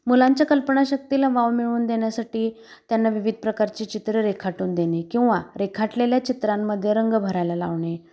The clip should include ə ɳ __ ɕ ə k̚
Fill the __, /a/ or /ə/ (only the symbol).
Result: a